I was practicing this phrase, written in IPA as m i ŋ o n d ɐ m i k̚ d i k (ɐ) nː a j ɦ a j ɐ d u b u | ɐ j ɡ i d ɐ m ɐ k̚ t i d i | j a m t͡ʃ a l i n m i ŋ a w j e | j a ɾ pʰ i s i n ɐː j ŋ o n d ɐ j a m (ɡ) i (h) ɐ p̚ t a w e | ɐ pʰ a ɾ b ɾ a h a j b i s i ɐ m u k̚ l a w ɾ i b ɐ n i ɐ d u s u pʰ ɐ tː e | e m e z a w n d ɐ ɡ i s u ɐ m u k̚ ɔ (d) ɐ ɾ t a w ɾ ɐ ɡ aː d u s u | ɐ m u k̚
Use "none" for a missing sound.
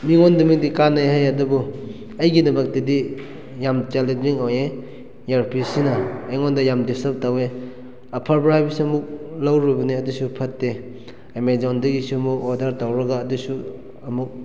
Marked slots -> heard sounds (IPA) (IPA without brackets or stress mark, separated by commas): a, d, s, d